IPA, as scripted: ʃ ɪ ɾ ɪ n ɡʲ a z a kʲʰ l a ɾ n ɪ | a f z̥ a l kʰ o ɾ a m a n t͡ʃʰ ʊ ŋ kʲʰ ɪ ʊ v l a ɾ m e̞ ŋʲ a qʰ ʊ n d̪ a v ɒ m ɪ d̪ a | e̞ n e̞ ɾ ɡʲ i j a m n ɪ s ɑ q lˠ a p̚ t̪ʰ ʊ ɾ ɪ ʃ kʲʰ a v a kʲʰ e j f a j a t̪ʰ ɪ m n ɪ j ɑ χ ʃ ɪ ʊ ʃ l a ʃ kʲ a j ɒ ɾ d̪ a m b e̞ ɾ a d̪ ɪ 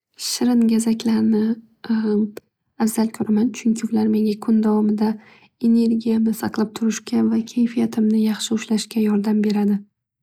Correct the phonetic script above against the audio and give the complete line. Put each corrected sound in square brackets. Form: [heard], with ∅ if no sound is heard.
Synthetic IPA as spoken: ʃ ɪ ɾ ɪ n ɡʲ a z a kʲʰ l a ɾ n ɪ | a f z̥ a l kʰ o ɾ a m a n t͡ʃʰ ʊ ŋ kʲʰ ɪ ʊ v l a ɾ m e̞ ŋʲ a [kʰ] ʊ n d̪ a v ɒ m ɪ d̪ a | e̞ n e̞ ɾ ɡʲ i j a m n ɪ s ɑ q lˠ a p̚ t̪ʰ ʊ ɾ ɪ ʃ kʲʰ a v a kʲʰ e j f [i] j a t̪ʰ ɪ m n ɪ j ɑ χ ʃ ɪ ʊ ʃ l a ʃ kʲ a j ɒ ɾ d̪ a m b e̞ ɾ a d̪ ɪ